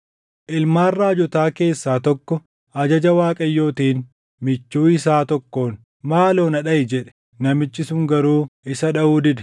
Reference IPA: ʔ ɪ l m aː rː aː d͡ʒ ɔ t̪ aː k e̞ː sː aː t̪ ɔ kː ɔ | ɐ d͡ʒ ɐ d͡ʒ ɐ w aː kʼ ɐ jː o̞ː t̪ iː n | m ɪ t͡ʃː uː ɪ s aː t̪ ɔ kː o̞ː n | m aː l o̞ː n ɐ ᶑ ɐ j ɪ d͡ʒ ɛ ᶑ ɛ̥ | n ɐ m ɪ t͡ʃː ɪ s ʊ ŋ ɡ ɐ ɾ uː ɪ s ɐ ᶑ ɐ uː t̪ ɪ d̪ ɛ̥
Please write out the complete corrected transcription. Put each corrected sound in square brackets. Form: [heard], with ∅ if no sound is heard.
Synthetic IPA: ʔ ɪ l m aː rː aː d͡ʒ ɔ t̪ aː k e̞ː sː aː t̪ ɔ kː ɔ | ɐ d͡ʒ ɐ d͡ʒ ɐ w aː kʼ ɐ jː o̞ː t̪ iː n | m ɪ t͡ʃː uː ɪ s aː t̪ ɔ kː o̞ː n | m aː l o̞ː n ɐ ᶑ ɐ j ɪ d͡ʒ ɛ ᶑ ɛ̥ | n ɐ m ɪ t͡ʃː ɪ s ʊ ŋ ɡ ɐ ɾ uː ɪ s ɐ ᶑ ɐ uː [d̪] ɪ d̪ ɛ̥